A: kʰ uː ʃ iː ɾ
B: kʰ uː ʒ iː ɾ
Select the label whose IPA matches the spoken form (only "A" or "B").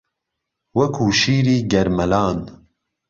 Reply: A